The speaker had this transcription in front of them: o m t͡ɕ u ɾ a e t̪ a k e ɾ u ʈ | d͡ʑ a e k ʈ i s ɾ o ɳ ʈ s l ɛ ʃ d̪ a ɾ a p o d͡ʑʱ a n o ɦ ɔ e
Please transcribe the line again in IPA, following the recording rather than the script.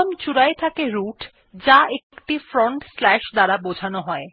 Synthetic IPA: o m t͡ɕ u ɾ a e t̪ʰ a k e ɾ u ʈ | d͡ʑ a e k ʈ i f ɾ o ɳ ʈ s l ɛ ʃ d̪ a ɾ a b o d͡ʑʱ a n o ɦ ɔ e

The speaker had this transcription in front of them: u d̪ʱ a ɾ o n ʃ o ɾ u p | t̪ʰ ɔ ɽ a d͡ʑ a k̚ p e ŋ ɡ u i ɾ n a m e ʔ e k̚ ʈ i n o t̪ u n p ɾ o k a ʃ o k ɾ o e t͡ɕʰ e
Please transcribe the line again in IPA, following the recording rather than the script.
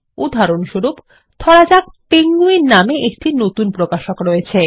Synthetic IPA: u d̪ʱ a ɾ o n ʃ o ɾ u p | t̪ʰ ɔ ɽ a d͡ʑ a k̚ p e ŋ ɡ u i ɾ n a m e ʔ e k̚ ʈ i n o t̪ u n p ɾ o k a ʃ o k ɾ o e t͡ɕʰ e

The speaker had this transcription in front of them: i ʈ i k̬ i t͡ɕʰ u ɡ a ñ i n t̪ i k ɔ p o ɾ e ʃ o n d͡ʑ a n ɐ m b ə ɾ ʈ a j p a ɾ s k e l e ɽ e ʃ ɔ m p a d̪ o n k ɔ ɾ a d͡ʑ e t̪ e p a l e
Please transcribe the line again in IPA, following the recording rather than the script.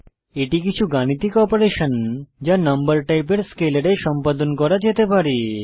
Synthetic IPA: e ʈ i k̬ i t͡ɕʰ u ɡ a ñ i t̪ i k ɔ p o ɾ e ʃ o n d͡ʑ a n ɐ m b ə ɾ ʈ a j p e ɾ s k e l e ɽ e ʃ ɔ m p a d̪ o n k ɔ ɾ a d͡ʑ e t̪ e p a ɾ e

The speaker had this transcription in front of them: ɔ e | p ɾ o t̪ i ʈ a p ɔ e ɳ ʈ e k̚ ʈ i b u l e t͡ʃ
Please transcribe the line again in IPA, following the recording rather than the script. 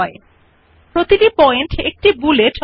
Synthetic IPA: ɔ e | p ɾ o t̪ i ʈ i p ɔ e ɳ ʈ e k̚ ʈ i b u l e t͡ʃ

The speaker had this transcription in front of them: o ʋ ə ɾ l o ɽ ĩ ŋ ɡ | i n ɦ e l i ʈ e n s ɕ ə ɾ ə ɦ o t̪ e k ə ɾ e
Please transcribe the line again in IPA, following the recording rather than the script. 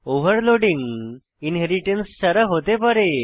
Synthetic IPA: o ʋ ə ɾ l o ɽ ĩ ŋ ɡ | i n ɦ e ɾ i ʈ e n s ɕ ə ɾ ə ɦ o t̪ e p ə ɾ e

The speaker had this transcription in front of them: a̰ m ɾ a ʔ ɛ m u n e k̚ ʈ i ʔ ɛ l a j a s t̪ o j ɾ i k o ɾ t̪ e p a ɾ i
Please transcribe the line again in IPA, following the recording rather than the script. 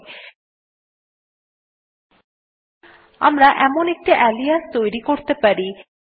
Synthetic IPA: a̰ m ɾ a ʔ ɛ m o n e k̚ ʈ i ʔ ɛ l i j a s t̪ o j ɾ i k o ɾ t̪ e p a ɾ i

